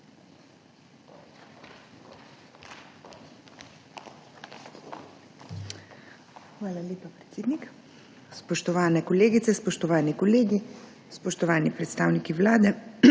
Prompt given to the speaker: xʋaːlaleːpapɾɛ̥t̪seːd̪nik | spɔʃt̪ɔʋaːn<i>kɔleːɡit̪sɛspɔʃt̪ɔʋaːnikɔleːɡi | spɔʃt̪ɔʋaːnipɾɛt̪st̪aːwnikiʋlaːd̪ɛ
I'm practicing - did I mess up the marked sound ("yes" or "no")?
yes